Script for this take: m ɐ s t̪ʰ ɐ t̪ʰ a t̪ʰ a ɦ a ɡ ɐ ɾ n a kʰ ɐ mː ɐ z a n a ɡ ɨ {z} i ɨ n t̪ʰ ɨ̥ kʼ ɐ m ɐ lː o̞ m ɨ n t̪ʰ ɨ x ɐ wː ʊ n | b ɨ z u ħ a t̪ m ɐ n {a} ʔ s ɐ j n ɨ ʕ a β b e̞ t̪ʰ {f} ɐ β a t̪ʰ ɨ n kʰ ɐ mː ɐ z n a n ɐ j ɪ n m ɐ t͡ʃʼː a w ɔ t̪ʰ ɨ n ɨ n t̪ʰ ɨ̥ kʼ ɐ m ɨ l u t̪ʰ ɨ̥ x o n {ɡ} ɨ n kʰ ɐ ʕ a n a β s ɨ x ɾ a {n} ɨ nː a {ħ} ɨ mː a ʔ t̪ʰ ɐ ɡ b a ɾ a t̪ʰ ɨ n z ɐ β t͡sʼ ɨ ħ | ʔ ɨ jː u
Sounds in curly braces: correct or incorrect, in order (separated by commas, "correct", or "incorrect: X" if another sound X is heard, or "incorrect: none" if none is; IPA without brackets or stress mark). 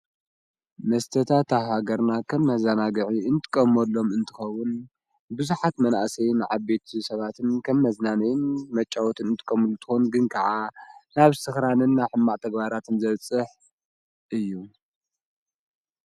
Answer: incorrect: ʕ, correct, incorrect: s, correct, correct, correct